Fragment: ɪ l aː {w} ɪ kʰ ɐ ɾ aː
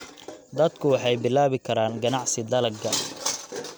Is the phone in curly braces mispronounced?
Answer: yes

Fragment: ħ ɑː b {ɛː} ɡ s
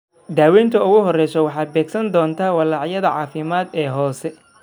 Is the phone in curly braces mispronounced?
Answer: no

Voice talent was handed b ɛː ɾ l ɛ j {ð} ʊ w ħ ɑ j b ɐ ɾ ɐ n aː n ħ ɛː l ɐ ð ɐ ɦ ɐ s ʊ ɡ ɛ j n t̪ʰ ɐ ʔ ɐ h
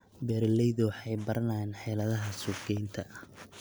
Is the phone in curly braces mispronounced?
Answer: no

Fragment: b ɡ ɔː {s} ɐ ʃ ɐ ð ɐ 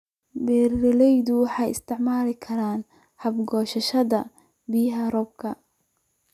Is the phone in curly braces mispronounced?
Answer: yes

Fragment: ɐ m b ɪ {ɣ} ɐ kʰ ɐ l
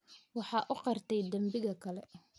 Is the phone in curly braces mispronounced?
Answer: no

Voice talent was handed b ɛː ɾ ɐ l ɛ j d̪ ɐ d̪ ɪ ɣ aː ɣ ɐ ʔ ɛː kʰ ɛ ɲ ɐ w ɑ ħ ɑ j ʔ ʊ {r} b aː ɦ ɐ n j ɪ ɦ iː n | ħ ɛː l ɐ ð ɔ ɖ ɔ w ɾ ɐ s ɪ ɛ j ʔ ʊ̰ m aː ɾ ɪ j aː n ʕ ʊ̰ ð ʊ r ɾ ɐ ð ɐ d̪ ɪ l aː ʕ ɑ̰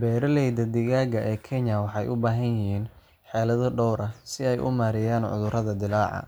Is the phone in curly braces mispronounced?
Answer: yes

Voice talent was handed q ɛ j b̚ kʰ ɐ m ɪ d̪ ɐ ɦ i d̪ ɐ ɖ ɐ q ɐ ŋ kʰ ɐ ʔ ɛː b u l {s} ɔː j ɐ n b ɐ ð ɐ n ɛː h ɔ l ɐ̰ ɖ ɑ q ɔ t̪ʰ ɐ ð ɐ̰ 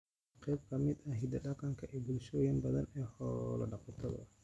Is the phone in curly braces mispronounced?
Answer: yes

